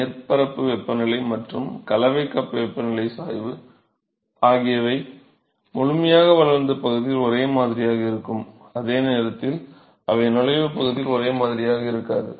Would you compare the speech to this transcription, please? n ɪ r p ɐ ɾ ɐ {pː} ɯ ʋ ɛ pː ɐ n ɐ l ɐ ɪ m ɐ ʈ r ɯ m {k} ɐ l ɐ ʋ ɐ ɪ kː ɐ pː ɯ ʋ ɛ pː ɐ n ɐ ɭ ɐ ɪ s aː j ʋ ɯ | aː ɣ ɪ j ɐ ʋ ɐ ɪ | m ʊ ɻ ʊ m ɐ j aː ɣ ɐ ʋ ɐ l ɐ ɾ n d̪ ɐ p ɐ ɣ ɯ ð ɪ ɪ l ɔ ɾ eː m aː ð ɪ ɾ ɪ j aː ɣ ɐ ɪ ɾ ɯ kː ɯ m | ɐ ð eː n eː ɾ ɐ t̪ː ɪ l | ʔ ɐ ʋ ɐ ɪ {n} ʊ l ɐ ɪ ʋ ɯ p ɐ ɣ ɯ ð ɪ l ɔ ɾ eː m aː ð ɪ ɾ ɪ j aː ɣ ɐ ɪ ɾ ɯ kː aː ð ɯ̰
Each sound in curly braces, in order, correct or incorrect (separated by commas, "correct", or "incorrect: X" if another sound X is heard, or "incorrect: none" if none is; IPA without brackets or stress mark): correct, correct, correct